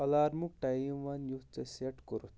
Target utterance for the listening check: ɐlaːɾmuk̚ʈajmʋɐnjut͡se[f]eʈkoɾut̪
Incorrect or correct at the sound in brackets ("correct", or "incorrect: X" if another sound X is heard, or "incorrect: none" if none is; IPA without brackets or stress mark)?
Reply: incorrect: s